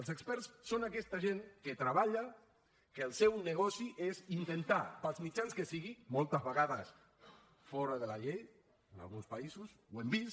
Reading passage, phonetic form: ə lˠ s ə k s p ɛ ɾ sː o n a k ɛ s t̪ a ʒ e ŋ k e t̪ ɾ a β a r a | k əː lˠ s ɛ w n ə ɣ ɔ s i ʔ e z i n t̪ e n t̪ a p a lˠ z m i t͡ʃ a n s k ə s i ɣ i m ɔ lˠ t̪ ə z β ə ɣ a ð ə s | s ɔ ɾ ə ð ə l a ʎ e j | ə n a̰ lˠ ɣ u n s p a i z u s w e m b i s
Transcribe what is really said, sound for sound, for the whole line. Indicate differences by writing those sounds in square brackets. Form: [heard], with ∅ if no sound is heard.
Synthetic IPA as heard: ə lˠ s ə k s p ɛ ɾ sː o n a k ɛ s t̪ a ʒ e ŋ k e t̪ ɾ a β a [ʎ] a | k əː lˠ s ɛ w n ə ɣ ɔ s i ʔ e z i n t̪ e n t̪ a p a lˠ z m i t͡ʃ a n s k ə s i ɣ i m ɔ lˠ t̪ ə z β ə ɣ a ð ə s | [f] ɔ ɾ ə ð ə l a ʎ e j | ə n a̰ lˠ ɣ u n s p a i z u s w e m b i s